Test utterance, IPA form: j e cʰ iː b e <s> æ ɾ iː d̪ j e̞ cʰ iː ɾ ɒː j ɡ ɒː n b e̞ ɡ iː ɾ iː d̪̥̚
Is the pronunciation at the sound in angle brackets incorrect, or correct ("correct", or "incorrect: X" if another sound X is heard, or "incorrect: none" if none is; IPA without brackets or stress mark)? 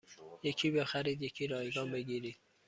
incorrect: x